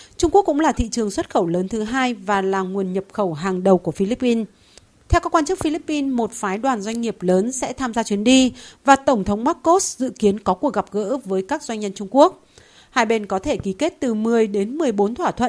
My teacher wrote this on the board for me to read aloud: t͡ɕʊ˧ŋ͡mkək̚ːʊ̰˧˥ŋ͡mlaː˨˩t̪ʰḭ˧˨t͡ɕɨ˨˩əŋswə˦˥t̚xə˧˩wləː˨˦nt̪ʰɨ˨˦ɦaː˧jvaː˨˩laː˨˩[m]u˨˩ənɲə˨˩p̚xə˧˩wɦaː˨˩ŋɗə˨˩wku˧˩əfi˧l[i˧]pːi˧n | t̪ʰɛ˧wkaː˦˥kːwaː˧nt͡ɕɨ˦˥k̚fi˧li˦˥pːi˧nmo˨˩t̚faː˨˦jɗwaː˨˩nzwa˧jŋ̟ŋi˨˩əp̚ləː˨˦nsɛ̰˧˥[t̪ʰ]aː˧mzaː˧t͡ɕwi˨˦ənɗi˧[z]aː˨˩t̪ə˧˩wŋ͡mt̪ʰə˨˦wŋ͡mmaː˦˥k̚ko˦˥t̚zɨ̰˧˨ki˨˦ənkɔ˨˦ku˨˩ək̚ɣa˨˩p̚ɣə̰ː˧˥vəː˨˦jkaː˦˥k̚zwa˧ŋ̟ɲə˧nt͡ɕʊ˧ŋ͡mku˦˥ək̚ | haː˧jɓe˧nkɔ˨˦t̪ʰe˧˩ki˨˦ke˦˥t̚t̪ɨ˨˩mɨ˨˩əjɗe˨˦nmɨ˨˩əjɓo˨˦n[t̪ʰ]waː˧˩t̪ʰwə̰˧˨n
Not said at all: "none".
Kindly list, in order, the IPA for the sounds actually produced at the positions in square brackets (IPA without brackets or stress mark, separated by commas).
ŋ, i˦˥, t̪ʰ, v, t̪ʰ